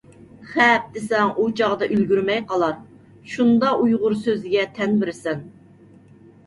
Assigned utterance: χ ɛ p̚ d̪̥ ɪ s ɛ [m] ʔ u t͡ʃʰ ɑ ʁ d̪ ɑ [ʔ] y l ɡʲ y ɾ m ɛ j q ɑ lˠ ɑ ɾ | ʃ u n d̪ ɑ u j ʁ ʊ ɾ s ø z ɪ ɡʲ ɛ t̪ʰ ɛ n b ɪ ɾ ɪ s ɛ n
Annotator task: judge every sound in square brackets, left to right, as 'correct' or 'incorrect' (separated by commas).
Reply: incorrect, correct